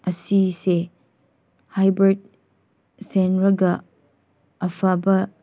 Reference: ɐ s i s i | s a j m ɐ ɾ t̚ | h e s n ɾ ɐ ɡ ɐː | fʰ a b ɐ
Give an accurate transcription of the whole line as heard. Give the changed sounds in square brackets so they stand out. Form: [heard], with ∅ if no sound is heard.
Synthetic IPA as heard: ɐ s i s [e] | [h] a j [b] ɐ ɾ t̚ | [s] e [∅] n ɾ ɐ ɡ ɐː | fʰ a b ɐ